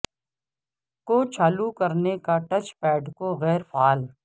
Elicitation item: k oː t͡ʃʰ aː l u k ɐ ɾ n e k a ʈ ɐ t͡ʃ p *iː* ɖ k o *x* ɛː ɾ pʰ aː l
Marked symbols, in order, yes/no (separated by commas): no, no